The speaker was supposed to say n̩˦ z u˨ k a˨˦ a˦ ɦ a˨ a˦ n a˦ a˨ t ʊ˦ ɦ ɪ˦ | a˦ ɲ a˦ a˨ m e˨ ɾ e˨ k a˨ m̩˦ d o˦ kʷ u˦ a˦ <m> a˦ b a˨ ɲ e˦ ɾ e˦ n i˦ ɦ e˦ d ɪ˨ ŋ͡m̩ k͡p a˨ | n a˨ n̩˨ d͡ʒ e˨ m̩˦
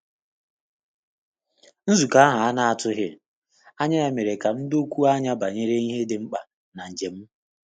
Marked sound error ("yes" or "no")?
yes